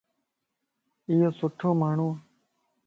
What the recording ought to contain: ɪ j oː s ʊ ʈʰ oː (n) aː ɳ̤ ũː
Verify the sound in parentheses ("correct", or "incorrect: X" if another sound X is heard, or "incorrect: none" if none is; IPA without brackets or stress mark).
incorrect: m